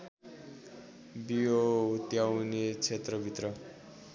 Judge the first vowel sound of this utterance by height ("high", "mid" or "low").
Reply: high